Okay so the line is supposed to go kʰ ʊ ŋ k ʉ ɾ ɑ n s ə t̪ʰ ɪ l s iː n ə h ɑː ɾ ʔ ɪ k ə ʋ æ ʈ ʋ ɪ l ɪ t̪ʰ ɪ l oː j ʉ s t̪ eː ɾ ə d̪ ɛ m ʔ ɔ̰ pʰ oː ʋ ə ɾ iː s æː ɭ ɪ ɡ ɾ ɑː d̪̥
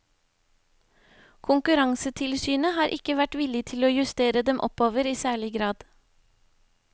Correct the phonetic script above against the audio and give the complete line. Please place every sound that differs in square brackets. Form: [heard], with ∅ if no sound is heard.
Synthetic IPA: kʰ ʊ ŋ k ʉ ɾ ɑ [ŋ] s ə t̪ʰ ɪ l s [yː] n ə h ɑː ɾ ʔ ɪ k ə ʋ æ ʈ ʋ ɪ l ɪ t̪ʰ ɪ l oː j ʉ s t̪ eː ɾ ə d̪ ɛ m ʔ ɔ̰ [p] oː ʋ ə ɾ iː s æː ɭ ɪ ɡ ɾ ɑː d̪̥